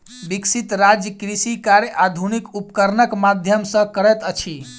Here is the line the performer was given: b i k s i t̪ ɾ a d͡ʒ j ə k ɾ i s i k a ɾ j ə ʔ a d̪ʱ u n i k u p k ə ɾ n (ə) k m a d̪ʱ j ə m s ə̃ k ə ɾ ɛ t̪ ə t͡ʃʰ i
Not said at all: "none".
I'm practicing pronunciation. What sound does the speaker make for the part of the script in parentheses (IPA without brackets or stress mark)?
ə